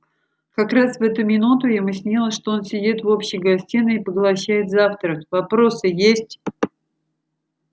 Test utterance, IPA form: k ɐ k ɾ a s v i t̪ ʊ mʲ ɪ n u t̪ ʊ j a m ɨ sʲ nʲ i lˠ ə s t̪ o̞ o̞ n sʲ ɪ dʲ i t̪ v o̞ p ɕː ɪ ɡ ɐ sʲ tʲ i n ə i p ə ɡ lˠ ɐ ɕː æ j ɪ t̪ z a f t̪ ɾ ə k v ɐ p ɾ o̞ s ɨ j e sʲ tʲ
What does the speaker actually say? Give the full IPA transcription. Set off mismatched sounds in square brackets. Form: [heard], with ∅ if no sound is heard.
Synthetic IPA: k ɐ k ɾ a s v [ɛ] t̪ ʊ mʲ ɪ n u t̪ ʊ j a m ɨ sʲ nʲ i lˠ ə [ʂ] t̪ o̞ o̞ n sʲ ɪ dʲ i t̪ v o̞ p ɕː ɪ ɡ ɐ sʲ tʲ i n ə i p ə ɡ lˠ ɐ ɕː æ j ɪ t̪ z a f t̪ ɾ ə k v ɐ p ɾ o̞ s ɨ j e sʲ tʲ